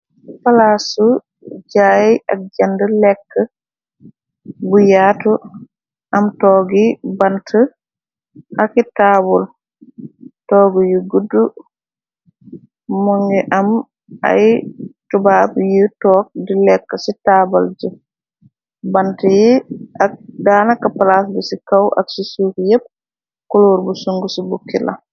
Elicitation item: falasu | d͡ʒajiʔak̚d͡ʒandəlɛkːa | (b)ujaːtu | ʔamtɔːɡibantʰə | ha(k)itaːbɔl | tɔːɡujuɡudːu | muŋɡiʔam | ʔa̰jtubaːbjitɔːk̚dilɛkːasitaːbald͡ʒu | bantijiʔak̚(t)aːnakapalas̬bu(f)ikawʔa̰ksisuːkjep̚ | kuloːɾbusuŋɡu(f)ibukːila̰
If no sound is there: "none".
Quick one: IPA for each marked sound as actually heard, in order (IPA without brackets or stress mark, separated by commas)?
b, k, d, s, s